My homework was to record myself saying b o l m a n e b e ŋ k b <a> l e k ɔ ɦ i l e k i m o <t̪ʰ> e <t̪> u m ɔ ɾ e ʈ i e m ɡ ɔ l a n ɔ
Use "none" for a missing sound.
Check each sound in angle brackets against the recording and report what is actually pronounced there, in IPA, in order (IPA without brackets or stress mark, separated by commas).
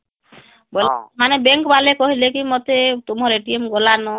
a, t̪, t̪